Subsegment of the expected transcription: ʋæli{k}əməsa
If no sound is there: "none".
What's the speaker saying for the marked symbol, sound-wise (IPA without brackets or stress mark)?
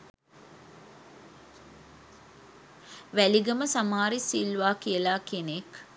ɡ